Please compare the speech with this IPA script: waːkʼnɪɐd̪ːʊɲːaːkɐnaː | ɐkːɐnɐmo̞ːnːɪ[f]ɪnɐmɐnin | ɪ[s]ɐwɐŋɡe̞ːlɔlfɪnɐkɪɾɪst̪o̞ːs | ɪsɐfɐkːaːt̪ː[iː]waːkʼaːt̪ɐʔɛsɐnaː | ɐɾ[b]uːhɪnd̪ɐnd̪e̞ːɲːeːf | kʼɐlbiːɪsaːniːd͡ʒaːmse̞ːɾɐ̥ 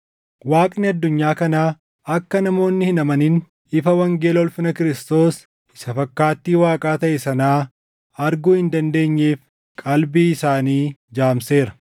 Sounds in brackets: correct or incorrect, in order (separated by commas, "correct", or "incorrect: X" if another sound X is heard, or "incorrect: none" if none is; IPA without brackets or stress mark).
incorrect: h, incorrect: f, correct, incorrect: ɡ